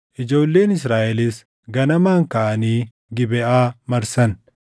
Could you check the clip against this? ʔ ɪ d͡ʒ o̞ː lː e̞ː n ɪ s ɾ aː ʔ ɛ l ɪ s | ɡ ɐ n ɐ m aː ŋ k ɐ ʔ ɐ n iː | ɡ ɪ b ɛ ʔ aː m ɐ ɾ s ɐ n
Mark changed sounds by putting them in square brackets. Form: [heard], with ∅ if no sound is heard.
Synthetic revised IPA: ʔ ɪ d͡ʒ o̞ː lː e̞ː n ɪ s ɾ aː ʔ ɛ l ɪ s | ɡ ɐ n ɐ m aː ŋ k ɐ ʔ ɐ n iː | ɡ ɪ b ɛ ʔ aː m ɐ ɾ s ɐ n